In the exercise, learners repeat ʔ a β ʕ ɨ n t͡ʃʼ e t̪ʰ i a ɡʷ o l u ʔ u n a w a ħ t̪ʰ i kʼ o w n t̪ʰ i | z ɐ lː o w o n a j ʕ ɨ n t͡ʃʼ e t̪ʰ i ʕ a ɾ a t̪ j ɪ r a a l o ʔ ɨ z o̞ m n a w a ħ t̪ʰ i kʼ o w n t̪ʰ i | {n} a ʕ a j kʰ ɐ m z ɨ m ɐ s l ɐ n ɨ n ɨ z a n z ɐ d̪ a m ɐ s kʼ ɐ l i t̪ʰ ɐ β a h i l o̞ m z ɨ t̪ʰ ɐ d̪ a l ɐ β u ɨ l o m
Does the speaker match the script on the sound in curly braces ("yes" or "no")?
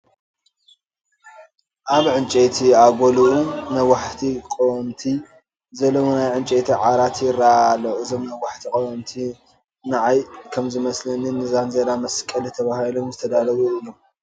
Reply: yes